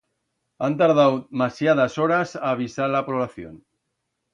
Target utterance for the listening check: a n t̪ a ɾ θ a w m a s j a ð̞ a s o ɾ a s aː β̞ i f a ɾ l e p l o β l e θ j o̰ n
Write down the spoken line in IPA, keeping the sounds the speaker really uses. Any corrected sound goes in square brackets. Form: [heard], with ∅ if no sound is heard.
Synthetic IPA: a n t̪ a ɾ [ð] a w m a s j a ð̞ a s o ɾ a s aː β̞ i [s] a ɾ l [a] p [ɾ] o β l [a] θ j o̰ n